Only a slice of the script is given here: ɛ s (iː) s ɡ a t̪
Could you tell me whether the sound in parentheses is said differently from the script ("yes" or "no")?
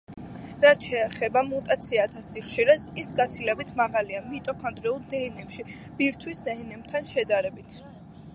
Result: yes